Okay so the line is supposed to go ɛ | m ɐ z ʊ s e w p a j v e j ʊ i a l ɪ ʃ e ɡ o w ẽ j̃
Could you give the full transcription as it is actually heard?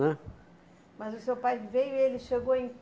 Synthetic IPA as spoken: ɛ | m ɐ z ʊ s e w p a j v e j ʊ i e l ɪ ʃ e ɡ o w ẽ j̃